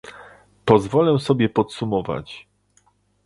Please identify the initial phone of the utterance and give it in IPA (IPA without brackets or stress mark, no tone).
p